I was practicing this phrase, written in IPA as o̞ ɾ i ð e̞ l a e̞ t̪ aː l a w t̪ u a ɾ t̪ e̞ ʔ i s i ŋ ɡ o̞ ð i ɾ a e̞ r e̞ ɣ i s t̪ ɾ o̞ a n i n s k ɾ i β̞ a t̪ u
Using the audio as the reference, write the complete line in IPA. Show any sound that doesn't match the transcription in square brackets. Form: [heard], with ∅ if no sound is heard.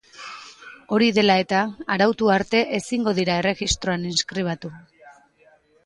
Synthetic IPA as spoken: o̞ ɾ i ð e̞ l a e̞ t̪ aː [ɾ] a w t̪ u a ɾ t̪ e̞ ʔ [e] s i ŋ ɡ o̞ ð i ɾ a e̞ r e̞ ɣ i s t̪ ɾ o̞ a n i n s k ɾ i β̞ a t̪ u